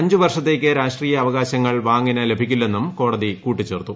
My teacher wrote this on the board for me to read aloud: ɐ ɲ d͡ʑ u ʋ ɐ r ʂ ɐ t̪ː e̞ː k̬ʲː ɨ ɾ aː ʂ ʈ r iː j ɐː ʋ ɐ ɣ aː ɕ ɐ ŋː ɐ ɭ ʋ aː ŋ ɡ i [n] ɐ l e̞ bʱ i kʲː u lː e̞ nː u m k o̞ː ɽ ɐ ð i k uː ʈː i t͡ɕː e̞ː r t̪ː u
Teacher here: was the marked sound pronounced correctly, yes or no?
yes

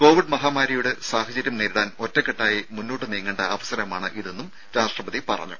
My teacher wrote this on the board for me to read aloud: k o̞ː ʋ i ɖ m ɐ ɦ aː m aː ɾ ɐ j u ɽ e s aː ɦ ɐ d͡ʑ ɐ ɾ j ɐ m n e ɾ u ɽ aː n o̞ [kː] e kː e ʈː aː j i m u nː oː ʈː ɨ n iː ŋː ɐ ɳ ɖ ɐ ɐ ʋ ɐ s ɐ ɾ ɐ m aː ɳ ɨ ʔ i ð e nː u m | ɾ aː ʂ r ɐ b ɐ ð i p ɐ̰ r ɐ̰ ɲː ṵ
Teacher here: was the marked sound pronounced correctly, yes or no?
no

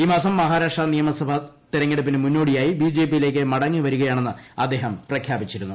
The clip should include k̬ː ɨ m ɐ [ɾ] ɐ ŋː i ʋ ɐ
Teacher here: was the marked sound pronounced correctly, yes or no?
no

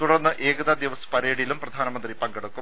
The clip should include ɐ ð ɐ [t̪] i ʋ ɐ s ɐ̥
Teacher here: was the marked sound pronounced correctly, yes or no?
no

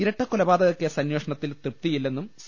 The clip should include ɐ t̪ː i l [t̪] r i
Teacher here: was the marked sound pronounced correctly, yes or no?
yes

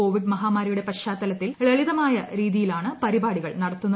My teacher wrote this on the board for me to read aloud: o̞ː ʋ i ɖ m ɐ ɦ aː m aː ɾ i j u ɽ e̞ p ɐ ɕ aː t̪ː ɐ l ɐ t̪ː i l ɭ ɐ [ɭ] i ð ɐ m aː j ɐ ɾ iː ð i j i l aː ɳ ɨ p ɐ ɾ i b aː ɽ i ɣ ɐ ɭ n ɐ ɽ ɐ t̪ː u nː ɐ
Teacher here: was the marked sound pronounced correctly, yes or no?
yes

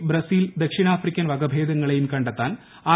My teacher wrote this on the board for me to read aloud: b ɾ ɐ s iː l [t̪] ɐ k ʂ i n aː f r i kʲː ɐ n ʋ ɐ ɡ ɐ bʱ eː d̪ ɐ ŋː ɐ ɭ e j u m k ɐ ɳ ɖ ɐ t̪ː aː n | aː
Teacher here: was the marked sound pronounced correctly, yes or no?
no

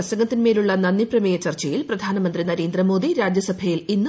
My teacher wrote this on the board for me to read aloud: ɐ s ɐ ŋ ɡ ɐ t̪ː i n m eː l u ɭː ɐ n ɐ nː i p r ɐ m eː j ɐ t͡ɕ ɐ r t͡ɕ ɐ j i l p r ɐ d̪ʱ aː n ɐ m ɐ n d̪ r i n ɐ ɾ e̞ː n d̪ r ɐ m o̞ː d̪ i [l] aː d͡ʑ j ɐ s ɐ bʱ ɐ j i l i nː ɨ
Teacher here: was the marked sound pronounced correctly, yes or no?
no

